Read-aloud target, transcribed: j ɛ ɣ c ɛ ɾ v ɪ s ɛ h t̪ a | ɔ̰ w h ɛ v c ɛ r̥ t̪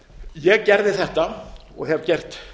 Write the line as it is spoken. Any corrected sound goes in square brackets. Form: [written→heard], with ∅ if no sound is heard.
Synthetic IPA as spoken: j ɛ ɣ c ɛ ɾ [v→ð] ɪ [s→θ] ɛ h t̪ a | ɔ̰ [w→ɣ] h ɛ v c ɛ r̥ t̪